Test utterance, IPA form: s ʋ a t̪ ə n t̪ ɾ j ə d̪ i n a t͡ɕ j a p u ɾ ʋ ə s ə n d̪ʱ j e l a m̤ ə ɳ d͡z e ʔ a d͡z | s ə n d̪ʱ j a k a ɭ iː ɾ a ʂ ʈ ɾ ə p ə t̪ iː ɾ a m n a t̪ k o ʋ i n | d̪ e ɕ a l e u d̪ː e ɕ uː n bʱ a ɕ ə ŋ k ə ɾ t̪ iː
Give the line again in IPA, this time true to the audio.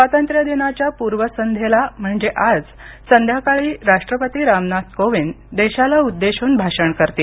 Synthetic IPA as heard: s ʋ a t̪ ə n t̪ ɾ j ə d̪ i n a t͡ɕ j a p u ɾ ʋ ə s ə n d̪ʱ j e l a m̤ ə ɳ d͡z e ʔ a d͡z | s ə n d̪ʱ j a k a ɭ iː ɾ a ʂ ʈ ɾ ə p ə t̪ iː ɾ a m n a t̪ k o ʋ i n | d̪ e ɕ a l a u d̪ː e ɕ uː n bʱ a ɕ ə ɳ k ə ɾ t̪ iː